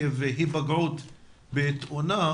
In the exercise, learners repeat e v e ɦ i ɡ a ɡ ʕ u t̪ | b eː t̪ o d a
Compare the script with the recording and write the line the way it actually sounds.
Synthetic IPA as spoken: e v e ɦ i b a ɡ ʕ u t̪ | b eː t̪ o n a